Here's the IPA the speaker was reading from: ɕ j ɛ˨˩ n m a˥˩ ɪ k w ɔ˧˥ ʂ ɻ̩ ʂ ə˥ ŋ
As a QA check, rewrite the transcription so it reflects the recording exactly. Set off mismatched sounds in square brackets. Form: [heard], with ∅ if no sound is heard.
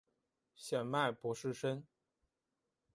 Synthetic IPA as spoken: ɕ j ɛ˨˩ n m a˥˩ ɪ [p] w ɔ˧˥ ʂ ɻ̩ ʂ ə˥ [n]